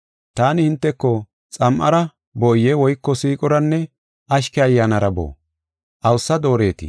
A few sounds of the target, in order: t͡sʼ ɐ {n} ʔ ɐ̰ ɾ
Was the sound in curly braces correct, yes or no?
no